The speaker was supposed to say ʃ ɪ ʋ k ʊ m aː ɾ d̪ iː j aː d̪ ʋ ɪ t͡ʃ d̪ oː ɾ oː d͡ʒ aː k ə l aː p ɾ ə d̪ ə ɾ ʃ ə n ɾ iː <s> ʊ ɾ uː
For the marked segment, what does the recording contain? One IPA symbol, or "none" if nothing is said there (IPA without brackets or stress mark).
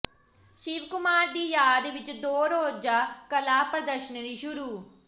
ʃ